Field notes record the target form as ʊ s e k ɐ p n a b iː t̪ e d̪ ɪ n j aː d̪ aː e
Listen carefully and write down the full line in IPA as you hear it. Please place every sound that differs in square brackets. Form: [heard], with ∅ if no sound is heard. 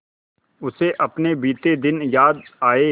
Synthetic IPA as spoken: ʊ s e [ʔ] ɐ p n [e] b iː t̪ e d̪ ɪ n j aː d̪ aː e